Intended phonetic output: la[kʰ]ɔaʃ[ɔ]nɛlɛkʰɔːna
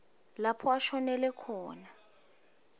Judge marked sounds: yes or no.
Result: no, yes

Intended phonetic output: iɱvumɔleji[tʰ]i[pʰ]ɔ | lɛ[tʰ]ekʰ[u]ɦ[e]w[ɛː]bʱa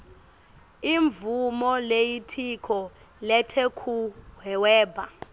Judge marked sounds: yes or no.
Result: yes, no, yes, yes, no, yes

